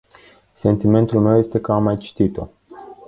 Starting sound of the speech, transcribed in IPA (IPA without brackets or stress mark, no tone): s